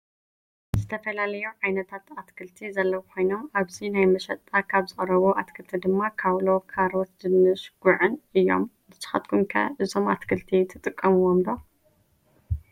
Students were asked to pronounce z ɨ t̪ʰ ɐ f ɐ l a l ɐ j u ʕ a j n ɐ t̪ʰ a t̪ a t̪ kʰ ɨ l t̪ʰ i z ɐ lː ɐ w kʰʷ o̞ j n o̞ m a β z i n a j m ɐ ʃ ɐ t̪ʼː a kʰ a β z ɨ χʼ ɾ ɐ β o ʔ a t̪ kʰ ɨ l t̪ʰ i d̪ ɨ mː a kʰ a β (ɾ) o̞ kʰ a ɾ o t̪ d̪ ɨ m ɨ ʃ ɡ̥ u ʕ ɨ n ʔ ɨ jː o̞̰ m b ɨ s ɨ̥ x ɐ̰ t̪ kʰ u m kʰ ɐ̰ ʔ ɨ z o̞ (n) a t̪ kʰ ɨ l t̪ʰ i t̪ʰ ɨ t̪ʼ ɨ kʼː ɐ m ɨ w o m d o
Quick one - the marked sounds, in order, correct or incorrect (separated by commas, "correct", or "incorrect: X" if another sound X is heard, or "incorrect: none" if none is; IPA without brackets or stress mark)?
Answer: incorrect: l, incorrect: m